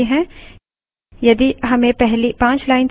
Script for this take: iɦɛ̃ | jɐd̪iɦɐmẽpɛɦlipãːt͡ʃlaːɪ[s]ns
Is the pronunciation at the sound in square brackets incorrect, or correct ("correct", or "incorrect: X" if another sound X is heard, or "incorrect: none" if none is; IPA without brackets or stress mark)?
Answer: incorrect: none